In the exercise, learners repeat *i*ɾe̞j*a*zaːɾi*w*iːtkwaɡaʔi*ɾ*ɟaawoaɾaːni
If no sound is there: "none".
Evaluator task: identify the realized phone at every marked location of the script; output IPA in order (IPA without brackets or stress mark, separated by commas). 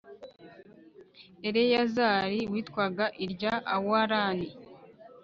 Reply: e, a, w, ɾ